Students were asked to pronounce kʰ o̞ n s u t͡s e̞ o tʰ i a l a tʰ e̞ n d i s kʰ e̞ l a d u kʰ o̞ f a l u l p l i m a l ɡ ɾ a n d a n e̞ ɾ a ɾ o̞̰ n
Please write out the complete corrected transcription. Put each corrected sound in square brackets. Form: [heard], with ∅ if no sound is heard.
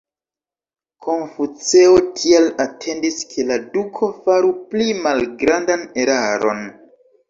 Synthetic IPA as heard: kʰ o̞ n [f] u t͡s e̞ o tʰ i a l a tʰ e̞ n d i s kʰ e̞ l a d u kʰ o̞ f a [ɾ] u [∅] p l i m a l ɡ ɾ a n d a n e̞ ɾ a ɾ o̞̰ n